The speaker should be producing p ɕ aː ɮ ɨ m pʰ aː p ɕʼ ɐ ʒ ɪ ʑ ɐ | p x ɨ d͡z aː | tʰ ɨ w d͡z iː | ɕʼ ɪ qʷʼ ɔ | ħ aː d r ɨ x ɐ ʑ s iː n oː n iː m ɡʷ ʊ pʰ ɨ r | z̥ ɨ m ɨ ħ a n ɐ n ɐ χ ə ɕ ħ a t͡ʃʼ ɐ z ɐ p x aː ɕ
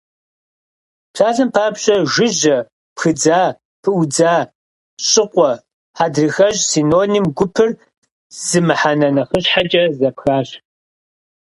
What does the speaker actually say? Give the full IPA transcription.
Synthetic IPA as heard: p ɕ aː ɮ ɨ m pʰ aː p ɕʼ ɐ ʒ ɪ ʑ ɐ | p x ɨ d͡z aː | pʰ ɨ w d͡z aː | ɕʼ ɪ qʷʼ ɔ | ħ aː d r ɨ x ɐ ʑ s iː n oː n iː m ɡʷ ʊ pʰ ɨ r | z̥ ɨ m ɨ ħ a n ɐ n ɐ χ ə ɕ ħ a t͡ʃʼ ɐ z ɐ p x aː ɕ

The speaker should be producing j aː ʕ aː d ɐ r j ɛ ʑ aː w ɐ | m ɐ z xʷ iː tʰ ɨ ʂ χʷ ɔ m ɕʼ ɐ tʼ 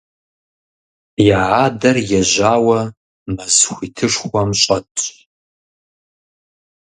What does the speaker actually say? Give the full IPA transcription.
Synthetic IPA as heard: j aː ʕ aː d ɐ r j ɛ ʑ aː w ɐ | m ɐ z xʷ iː tʰ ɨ ʂ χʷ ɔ m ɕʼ ɐ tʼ

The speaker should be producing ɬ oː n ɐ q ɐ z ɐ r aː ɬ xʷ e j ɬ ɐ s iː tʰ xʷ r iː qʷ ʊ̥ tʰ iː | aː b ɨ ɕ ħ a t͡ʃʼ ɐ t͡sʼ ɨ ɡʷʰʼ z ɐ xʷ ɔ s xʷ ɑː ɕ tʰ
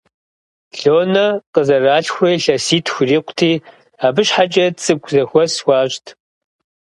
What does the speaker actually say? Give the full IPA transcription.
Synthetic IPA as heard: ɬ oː n ɐ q ə z ɐ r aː ɬ xʷ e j ɬ ɐ s iː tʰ xʷ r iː qʷ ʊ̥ tʰ iː | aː b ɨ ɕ ħ a t͡ʃʼ ɐ t͡sʼ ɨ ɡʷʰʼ z ɐ xʷ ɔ s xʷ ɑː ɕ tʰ

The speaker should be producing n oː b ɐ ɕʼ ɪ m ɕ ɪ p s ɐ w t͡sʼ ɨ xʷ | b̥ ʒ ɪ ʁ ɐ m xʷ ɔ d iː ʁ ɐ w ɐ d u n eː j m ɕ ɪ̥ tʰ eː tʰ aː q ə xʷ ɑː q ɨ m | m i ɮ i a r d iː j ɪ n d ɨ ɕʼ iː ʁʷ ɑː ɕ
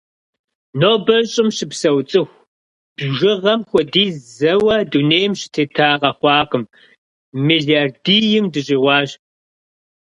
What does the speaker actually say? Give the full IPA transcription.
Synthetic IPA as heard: n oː b ɐ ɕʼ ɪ m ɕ ɪ p s ɐ w t͡sʼ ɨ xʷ | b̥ ʒ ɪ ʁ ɐ m xʷ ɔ d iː z ɐ w ɐ d u n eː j m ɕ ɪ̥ tʰ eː tʰ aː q ɐ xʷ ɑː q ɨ m | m i ɮ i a r d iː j ɪ m d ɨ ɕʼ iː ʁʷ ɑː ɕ

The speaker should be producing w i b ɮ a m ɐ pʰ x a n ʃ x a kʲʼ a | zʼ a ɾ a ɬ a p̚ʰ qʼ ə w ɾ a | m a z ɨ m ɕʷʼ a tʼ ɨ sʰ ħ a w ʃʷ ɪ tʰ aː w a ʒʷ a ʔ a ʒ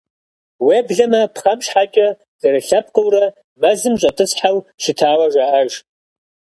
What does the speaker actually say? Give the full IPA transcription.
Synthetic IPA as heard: w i b ɮ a m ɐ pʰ χ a m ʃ ħ a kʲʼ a | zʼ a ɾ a ɬ a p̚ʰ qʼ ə w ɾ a | m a z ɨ m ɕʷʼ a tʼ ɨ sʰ ħ a w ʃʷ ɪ tʰ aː w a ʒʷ a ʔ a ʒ

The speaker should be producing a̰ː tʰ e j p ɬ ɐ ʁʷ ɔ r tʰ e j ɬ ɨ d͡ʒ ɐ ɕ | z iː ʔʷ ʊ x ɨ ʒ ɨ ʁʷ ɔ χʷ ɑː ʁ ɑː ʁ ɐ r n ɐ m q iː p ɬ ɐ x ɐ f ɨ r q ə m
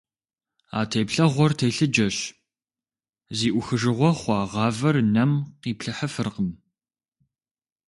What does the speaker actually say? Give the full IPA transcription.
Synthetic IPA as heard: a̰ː tʰ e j p ɬ ɐ ʁʷ ɔ r tʰ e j ɬ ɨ d͡ʒ ɐ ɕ | z iː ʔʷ ʊ x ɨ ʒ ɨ ʁʷ ɔ χʷ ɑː ʁ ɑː v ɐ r n ɐ m q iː p ɬ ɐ ħ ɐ f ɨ r q ə m

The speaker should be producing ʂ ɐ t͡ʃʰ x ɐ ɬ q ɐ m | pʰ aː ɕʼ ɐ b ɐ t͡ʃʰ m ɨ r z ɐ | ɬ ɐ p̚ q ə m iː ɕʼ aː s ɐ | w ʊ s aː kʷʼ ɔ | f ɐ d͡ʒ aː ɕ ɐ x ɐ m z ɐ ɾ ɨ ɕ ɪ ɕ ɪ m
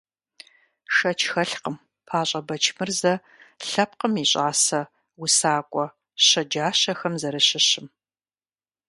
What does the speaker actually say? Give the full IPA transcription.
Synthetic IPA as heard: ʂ ɐ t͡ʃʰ x ɐ ɬ q ə m | pʰ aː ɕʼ ɐ b ɐ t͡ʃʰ m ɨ r z ɐ | ɬ ɐ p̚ q ə m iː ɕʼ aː s ɐ | w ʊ s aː kʷʼ ɔ | ɕ ɐ d͡ʒ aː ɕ ɐ x ɐ m z ɐ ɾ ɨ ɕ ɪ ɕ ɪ m

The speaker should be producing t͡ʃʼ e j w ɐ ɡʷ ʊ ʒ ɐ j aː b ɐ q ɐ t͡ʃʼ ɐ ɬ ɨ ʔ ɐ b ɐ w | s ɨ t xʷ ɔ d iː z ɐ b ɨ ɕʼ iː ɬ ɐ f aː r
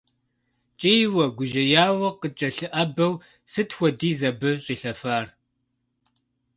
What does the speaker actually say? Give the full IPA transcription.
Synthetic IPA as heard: t͡ʃʼ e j w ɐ ɡʷ ʊ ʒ ɐ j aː w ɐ q ə t͡ʃʼ ɐ ɬ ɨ ʔ ɐ b ɐ w | s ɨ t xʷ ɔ d iː z ɐ b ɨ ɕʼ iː ɬ ɐ f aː r

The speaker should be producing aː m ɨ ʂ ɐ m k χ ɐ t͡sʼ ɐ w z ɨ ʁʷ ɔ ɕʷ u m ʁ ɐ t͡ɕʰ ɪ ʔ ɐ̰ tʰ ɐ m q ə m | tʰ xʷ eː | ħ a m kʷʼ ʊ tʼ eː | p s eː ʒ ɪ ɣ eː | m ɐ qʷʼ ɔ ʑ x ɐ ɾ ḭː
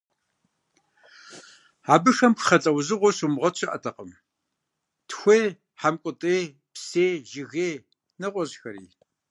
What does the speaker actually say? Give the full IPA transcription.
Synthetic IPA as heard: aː b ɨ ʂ ɐ m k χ ɐ t͡sʼ ɐ w z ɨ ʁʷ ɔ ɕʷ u m ʁ ɐ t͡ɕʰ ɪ ʔ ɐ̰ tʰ ɐ q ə m | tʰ xʷ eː | ħ a m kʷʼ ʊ tʼ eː | p s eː ʒ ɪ ɣ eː | n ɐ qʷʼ ɔ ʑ x ɐ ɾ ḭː

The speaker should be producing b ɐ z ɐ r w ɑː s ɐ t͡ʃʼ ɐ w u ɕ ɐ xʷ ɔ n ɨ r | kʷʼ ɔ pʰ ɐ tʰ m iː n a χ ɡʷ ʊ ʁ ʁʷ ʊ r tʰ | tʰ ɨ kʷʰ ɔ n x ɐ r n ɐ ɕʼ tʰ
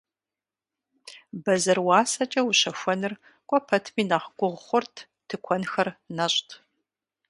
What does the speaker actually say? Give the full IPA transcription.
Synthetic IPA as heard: b ɐ z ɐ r w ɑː s ɐ t͡ʃʼ ɐ w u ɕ ɐ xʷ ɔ n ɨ r | kʷʼ ɔ pʰ ɐ tʰ m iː n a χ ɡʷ ʊ ʁ χʷ ʊ r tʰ | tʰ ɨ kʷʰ ɔ n x ɐ r n ɐ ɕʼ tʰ

